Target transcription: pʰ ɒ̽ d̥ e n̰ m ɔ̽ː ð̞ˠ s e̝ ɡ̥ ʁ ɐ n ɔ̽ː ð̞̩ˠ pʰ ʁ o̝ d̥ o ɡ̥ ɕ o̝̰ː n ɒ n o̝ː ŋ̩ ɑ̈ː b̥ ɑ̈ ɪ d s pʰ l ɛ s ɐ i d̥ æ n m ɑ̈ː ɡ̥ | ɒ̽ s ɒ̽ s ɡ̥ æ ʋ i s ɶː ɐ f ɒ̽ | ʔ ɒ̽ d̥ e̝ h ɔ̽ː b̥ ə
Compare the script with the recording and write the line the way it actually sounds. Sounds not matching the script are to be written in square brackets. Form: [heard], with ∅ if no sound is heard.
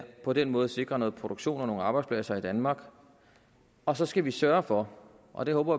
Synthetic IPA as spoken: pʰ ɒ̽ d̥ e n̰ m ɔ̽ː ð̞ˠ s e̝ ɡ̥ ʁ ɐ n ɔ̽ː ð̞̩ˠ pʰ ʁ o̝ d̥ o ɡ̥ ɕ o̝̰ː n ɒ n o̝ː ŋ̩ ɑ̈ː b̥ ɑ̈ ɪ d s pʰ l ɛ s ɐ i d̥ æ n m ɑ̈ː ɡ̥ | ɒ̽ s ɒ̽ s ɡ̥ æ ʋ i s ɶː ɐ f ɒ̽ | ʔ ɒ̽ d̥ e̝ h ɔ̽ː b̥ [ɐ]